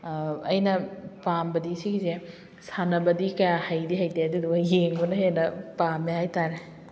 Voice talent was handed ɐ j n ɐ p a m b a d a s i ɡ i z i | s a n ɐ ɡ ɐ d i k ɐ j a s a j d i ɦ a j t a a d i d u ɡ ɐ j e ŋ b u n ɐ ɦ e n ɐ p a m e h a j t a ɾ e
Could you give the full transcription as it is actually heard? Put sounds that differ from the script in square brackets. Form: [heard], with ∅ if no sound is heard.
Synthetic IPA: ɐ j n ɐ p a m b [ɐ] d [i] s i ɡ i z [e] | s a n ɐ [b] ɐ d i k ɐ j a [h] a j d i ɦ a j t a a d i d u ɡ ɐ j e ŋ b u n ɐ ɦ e n ɐ p a m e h a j t a ɾ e